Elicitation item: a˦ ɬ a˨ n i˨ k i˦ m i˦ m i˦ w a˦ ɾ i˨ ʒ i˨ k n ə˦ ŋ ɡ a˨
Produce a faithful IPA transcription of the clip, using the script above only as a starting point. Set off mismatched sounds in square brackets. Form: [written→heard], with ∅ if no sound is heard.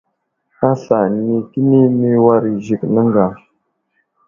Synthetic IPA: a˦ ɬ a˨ n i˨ k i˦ [m→n] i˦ m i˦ w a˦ ɾ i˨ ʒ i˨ k n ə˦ ŋ ɡ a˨